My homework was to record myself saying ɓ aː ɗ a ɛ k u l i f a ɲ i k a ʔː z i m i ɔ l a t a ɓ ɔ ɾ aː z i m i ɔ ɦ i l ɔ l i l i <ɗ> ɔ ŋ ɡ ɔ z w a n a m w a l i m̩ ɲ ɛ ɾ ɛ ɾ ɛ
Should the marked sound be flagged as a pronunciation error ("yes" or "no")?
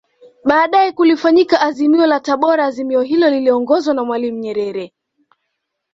yes